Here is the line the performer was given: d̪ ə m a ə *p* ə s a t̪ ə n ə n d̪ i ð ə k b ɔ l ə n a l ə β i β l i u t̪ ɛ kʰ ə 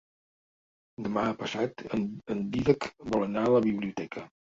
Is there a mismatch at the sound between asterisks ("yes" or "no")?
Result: no